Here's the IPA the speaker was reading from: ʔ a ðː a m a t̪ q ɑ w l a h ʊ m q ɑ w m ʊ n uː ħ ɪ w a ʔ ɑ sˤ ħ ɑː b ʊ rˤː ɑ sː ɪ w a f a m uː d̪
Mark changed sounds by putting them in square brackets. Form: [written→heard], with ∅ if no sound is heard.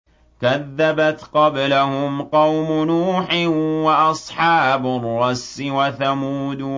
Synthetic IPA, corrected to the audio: [ʔ→k] a ðː a [m→b] a t̪ q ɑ [w→b] l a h ʊ m q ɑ w m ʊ n uː ħ ɪ w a ʔ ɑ sˤ ħ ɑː b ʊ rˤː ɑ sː ɪ w a [f→θ] a m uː d̪

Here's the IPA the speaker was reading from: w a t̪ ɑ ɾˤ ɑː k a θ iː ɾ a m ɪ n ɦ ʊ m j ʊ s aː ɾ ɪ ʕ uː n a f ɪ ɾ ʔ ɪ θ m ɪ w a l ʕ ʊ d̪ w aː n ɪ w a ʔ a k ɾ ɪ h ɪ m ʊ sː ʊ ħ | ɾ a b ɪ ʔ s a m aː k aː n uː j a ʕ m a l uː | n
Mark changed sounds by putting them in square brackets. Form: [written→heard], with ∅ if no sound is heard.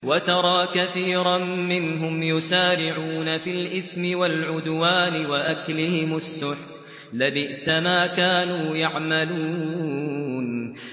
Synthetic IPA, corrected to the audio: w a t̪ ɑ ɾˤ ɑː k a θ iː ɾ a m ɪ n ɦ ʊ m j ʊ s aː ɾ ɪ ʕ uː n a f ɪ [ɾ→l] ʔ ɪ θ m ɪ w a l ʕ ʊ d̪ w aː n ɪ w a ʔ a k [ɾ→l] ɪ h ɪ m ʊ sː ʊ ħ | [ɾ→l] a b ɪ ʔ s a m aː k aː n uː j a ʕ m a l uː | n

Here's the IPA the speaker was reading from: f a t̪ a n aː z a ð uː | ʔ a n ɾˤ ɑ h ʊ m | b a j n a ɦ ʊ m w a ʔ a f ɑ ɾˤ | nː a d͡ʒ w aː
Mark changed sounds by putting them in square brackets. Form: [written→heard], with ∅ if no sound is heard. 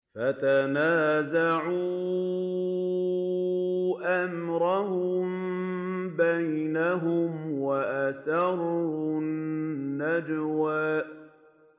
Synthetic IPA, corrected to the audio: f a t̪ a n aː z a [ð→ʕ] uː | ʔ a [n→m] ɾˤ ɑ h ʊ m | b a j n a ɦ ʊ m w a ʔ a [f→s] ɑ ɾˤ | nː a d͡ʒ w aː

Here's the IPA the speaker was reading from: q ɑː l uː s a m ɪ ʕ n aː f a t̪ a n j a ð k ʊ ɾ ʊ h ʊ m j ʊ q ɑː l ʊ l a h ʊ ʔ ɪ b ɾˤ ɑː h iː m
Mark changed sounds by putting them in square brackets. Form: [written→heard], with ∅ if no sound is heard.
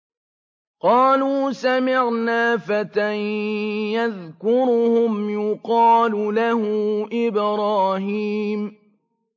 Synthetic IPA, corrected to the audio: q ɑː l uː s a m ɪ ʕ n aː f a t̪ a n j a ð k ʊ ɾ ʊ h ʊ m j ʊ q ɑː l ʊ l a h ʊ ʔ ɪ b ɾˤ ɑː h iː m

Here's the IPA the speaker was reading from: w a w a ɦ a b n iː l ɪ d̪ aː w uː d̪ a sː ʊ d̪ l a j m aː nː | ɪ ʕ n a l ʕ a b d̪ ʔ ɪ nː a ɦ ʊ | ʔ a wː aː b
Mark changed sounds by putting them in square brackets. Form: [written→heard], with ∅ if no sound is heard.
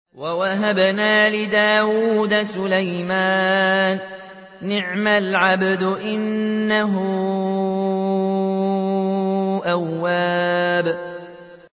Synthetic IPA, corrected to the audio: w a w a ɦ a b n [iː→aː] l ɪ d̪ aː w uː d̪ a [sː→s] ʊ [d̪→∅] l a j m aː nː | ɪ ʕ [n→m] a l ʕ a b d̪ ʔ ɪ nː a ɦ ʊ | ʔ a wː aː b

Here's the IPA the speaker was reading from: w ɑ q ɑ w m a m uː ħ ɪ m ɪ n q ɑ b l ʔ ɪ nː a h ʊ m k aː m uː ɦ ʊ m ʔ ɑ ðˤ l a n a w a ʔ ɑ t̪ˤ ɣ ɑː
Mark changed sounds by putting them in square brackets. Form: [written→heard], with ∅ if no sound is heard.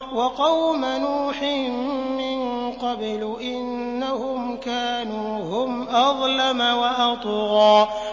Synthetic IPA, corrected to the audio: w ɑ q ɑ w m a [m→n] uː ħ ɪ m ɪ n q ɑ b l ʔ ɪ nː a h ʊ m k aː [m→n] uː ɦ ʊ m ʔ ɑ ðˤ l a [n→m] a w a ʔ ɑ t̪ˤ ɣ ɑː

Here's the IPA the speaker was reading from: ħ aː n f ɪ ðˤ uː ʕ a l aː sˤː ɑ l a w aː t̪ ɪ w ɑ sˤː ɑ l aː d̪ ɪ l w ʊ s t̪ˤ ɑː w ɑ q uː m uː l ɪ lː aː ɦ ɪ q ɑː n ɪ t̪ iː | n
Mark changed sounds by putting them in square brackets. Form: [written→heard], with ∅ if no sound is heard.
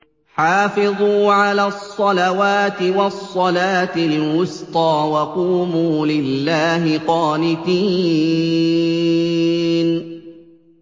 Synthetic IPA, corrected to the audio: ħ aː [n→∅] f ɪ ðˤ uː ʕ a l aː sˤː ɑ l a w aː t̪ ɪ w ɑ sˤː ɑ l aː [d̪→t̪] ɪ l w ʊ s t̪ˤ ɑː w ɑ q uː m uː l ɪ lː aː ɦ ɪ q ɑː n ɪ t̪ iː | n

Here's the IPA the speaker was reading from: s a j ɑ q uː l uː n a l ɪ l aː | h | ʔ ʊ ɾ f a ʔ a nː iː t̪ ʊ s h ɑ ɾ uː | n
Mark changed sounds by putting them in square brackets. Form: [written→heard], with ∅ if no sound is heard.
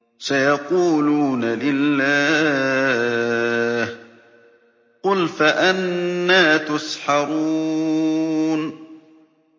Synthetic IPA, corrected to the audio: s a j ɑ q uː l uː n a l ɪ [l→lː] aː | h | [ʔ→q] ʊ [ɾ→l] f a ʔ a nː [iː→aː] t̪ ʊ s [h→ħ] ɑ ɾ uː | n

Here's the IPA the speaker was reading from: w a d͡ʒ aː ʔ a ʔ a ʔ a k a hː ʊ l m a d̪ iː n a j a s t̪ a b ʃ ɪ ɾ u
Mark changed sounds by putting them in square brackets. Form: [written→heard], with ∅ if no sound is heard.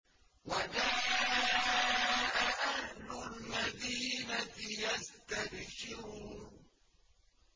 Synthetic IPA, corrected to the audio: w a d͡ʒ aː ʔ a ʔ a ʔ a [k→ʔ] a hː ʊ l m a d̪ iː n a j a s t̪ a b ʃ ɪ ɾ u

